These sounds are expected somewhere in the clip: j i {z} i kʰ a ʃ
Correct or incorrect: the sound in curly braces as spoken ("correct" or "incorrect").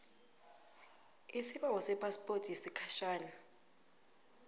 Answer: incorrect